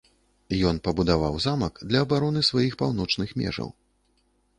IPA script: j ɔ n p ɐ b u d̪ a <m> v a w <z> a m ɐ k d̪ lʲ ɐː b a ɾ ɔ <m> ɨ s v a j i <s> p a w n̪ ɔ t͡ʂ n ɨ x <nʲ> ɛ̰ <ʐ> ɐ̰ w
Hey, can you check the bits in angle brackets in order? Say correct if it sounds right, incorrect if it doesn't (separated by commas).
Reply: incorrect, correct, incorrect, incorrect, incorrect, correct